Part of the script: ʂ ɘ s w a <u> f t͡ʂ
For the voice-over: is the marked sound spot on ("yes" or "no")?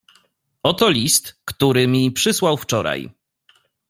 no